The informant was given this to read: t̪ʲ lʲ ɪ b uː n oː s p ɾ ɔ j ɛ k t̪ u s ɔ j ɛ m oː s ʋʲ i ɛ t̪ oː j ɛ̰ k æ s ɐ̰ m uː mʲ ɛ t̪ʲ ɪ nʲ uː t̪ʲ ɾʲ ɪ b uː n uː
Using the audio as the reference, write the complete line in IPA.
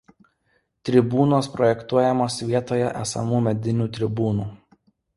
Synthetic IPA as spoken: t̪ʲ ɾʲ ɪ b uː n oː s p ɾ ɔ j ɛ k t̪ u ɔ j ɛ m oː s ʋʲ i ɛ t̪ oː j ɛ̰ ʔ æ s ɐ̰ m uː mʲ ɛ d̪ʲ ɪ nʲ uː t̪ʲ ɾʲ ɪ b uː n uː